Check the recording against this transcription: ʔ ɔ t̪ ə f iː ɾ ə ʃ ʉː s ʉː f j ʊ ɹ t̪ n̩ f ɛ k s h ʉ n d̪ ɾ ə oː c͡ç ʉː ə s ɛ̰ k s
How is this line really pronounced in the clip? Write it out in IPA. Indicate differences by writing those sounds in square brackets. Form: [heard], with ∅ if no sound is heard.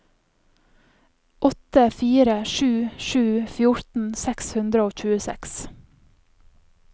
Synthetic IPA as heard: ʔ ɔ t̪ ə f iː ɾ ə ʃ ʉː [ʃ] ʉː f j ʊ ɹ t̪ n̩ [s] ɛ k s h ʉ n d̪ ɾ ə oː c͡ç ʉː ə s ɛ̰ k s

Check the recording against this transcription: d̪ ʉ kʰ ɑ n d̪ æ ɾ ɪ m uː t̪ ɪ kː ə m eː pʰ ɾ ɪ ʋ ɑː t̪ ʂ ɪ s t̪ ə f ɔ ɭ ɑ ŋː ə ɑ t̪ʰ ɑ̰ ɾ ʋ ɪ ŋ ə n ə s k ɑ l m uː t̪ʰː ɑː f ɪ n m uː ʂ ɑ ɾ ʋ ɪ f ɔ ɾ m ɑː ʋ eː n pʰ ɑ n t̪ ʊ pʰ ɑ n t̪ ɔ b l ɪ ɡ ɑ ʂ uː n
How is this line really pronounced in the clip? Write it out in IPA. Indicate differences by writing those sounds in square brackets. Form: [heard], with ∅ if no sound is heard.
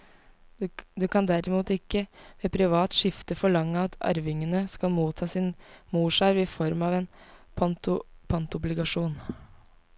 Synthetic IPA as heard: d̪ ʉ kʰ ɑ n d̪ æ ɾ ɪ m uː t̪ ɪ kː ə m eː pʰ ɾ ɪ ʋ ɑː t̪ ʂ ɪ [f] t̪ ə f ɔ ɭ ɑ ŋː ə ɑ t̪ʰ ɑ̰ ɾ ʋ ɪ ŋ ə n ə s k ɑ l m uː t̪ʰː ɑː [s] ɪ n m uː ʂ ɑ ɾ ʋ ɪ f ɔ ɾ m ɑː ʋ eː n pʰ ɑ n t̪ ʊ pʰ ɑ n t̪ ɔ b l ɪ ɡ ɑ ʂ uː n

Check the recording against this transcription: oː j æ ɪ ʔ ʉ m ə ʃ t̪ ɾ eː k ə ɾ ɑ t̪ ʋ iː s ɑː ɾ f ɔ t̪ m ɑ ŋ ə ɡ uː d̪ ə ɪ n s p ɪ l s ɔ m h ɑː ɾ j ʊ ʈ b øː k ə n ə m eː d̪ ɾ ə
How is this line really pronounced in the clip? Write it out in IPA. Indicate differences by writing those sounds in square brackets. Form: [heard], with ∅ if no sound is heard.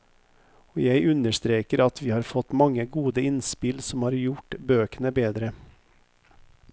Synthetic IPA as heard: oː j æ ɪ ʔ ʉ [n] ə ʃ t̪ ɾ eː k ə ɾ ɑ t̪ ʋ iː [h] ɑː ɾ f ɔ t̪ m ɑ ŋ ə ɡ uː d̪ ə ɪ n s p ɪ l s ɔ m h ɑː ɾ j ʊ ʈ b øː k ə n ə [b] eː d̪ ɾ ə

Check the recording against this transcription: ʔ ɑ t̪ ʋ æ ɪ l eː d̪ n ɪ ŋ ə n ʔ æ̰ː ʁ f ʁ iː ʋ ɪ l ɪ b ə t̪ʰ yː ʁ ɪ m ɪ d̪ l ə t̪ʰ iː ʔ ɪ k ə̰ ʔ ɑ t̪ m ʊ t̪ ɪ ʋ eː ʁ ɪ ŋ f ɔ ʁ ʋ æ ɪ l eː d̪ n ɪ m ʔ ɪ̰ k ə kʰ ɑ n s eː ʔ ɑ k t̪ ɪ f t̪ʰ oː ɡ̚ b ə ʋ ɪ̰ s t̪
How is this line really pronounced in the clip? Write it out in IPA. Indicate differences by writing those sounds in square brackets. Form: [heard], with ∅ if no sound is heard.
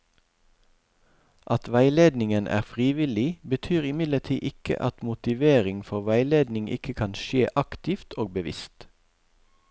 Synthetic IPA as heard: ʔ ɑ t̪ ʋ æ ɪ l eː d̪ n ɪ ŋ ə n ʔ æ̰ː ʁ f ʁ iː ʋ ɪ l ɪ b ə t̪ʰ yː ʁ ɪ m ɪ d̪ l ə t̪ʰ iː ʔ ɪ k ə̰ ʔ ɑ t̪ m ʊ t̪ ɪ ʋ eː ʁ ɪ ŋ f ɔ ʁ ʋ æ ɪ l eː d̪ n ɪ [ŋ] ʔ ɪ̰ k ə kʰ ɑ n [ʃ] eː ʔ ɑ k t̪ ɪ f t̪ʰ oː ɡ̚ b ə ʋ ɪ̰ s t̪

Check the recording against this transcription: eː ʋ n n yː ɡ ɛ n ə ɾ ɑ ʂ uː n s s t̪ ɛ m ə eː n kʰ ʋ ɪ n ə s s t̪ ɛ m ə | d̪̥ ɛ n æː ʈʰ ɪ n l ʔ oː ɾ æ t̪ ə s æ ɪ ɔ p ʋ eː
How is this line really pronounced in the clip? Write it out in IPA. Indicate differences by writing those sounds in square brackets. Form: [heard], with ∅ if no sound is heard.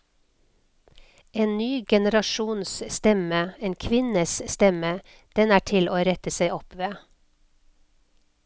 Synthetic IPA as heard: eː [∅] n n yː ɡ ɛ n ə ɾ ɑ [ʃ] uː n s s t̪ ɛ m ə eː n kʰ ʋ ɪ n ə s s t̪ ɛ m ə | d̪̥ ɛ n æː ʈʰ ɪ [∅] l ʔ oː ɾ [ɛ] t̪ ə s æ ɪ ɔ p ʋ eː

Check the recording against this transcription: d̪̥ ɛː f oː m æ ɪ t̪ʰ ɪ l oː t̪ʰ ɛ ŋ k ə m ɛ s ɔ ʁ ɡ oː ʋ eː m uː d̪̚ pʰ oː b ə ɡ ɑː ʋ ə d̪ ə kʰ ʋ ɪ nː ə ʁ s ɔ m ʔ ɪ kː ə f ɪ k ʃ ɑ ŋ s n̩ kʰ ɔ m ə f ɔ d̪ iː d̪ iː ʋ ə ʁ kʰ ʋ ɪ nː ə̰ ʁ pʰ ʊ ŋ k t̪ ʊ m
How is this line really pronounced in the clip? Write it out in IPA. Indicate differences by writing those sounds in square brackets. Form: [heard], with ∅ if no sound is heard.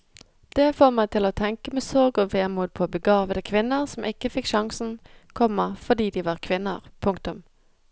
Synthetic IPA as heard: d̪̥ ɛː f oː m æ ɪ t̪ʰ ɪ l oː t̪ʰ ɛ ŋ k ə m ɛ s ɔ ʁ ɡ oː ʋ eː m uː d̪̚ pʰ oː b ə ɡ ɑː ʋ ə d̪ ə kʰ ʋ ɪ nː ə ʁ s ɔ m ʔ ɪ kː ə f ɪ k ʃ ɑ ŋ s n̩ kʰ ɔ m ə f ɔ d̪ iː d̪ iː ʋ [ɑ] ʁ kʰ ʋ ɪ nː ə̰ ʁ pʰ ʊ ŋ k t̪ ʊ m

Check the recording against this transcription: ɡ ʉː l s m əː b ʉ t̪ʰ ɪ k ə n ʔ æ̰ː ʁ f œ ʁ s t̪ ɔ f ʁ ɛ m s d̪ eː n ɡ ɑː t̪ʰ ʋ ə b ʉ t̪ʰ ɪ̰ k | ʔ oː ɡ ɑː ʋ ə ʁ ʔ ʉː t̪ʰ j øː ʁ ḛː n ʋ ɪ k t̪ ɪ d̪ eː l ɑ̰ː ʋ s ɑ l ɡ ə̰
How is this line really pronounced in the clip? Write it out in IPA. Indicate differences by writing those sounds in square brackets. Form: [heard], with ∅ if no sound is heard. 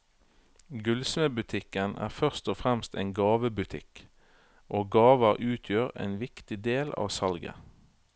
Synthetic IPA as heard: ɡ [ʉ] l s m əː b ʉ t̪ʰ ɪ k ə n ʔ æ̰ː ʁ f œ ʁ s t̪ ɔ f ʁ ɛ m s [t̪] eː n ɡ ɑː [∅] ʋ ə b ʉ t̪ʰ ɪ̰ k | ʔ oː ɡ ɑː ʋ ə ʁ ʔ ʉː t̪ʰ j øː ʁ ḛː n ʋ ɪ k t̪ ɪ d̪ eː l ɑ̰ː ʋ s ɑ l ɡ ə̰

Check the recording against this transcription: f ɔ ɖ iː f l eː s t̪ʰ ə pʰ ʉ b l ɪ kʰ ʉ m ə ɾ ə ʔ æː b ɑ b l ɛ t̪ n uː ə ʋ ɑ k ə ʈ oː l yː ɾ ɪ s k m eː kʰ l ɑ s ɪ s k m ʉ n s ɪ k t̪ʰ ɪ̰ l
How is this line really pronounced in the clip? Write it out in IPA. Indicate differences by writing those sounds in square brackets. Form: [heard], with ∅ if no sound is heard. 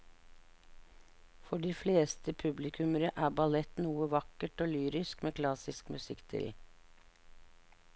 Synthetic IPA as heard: f ɔ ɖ iː f l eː s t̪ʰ ə pʰ ʉ b l ɪ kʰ ʉ m ə ɾ ə ʔ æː b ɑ [∅] l ɛ t̪ n uː ə ʋ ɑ k ə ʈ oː l yː ɾ ɪ s k m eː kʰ l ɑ s ɪ s k m ʉ [∅] s ɪ k t̪ʰ ɪ̰ l

